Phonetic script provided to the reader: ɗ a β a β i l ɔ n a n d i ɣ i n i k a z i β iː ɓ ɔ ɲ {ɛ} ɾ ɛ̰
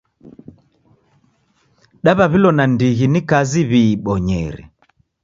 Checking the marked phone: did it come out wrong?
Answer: no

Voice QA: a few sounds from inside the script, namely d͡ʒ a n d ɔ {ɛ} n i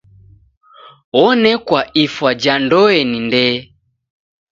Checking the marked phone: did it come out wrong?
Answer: no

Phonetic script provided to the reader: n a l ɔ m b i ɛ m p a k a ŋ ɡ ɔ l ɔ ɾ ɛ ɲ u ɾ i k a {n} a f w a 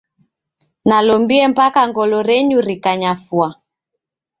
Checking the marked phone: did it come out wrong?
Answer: yes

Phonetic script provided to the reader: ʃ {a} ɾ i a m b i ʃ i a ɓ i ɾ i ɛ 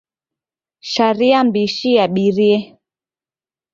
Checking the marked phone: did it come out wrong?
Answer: no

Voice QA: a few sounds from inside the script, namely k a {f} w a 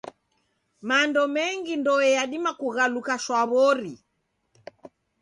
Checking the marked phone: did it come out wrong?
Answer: yes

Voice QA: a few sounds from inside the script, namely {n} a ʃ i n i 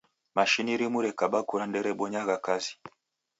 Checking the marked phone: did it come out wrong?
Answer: yes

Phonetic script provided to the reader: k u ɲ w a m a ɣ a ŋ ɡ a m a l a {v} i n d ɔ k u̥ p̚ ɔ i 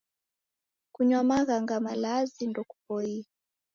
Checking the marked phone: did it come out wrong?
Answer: yes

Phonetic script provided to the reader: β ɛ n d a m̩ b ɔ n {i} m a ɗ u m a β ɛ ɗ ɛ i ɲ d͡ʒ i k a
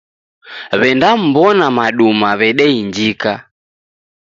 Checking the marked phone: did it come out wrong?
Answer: yes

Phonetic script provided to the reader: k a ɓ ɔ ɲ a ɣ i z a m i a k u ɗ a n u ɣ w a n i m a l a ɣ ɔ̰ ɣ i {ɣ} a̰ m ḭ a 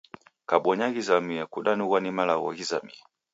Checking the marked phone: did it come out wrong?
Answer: yes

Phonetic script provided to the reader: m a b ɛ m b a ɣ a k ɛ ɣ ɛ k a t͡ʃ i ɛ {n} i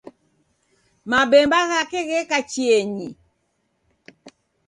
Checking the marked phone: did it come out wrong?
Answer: yes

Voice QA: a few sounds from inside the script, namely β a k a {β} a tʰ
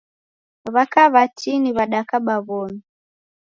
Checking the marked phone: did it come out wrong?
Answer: no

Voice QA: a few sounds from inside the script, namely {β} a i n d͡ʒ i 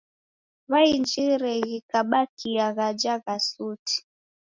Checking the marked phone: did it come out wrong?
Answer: no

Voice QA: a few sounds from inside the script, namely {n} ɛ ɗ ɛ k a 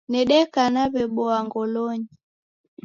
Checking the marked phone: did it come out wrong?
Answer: no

